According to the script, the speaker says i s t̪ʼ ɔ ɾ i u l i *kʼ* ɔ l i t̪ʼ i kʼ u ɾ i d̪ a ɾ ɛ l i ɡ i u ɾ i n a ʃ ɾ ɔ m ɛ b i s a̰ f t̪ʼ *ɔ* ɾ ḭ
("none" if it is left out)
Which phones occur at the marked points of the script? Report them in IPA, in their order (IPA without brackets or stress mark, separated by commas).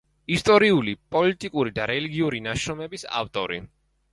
pʼ, ɔ